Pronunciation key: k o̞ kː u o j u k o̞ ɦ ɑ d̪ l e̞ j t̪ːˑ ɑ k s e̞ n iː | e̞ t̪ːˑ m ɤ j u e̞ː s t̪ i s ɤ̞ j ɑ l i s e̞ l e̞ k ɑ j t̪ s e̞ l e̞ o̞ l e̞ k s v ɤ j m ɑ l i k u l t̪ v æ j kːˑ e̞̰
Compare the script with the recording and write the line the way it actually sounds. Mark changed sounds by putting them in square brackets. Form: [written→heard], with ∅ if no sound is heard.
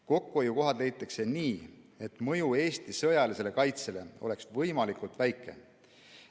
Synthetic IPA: k o̞ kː u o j u k o̞ ɦ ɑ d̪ l e̞ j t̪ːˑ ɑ k s e̞ n iː | e̞ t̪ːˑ m ɤ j u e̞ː s t̪ i s ɤ̞ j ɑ l i s e̞ l e̞ k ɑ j t̪ s e̞ l e̞ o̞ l e̞ k s v ɤ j m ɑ l i k u l t̪ v æ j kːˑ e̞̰